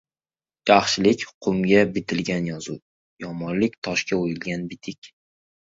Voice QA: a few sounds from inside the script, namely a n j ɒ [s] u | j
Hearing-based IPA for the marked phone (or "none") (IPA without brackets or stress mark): z